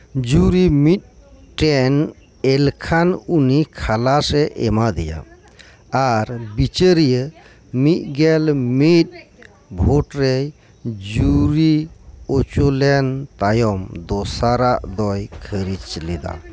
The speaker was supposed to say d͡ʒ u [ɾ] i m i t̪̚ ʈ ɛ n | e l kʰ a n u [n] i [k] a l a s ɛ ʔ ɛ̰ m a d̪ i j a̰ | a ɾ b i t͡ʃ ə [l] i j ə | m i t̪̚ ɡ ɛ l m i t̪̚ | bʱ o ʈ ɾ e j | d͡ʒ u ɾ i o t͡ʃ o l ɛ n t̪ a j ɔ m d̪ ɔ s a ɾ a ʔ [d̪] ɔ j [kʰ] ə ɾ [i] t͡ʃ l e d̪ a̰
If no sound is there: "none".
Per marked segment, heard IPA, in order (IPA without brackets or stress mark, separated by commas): ɾ, n, kʰ, ɾ, d̪, kʰ, i